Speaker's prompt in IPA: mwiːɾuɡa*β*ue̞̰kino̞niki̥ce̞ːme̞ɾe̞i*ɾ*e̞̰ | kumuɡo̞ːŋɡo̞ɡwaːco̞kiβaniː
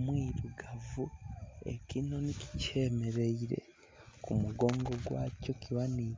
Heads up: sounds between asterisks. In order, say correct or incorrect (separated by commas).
incorrect, correct